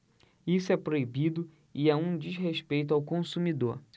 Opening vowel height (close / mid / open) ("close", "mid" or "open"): close